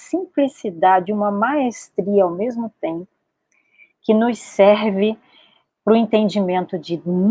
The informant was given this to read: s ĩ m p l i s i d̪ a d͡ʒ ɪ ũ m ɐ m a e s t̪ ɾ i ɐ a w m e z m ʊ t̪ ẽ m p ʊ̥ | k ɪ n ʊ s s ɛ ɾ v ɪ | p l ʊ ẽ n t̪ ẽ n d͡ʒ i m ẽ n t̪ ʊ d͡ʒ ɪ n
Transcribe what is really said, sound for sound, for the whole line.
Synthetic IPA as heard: s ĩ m p l i s i d̪ a d͡ʒ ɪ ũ m ɐ m a e s t̪ ɾ i ɐ a w m e z m ʊ t̪ ẽ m p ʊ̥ | k ɪ n ʊ s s ɛ ɾ v ɪ | p ɾ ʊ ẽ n t̪ ẽ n d͡ʒ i m ẽ n t̪ ʊ d͡ʒ ɪ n